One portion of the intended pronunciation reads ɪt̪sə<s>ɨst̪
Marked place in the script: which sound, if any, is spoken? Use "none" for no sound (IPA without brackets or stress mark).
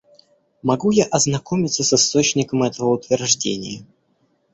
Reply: s